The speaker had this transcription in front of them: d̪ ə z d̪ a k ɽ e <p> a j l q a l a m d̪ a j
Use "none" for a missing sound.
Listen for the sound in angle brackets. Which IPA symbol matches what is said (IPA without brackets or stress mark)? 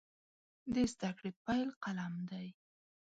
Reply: p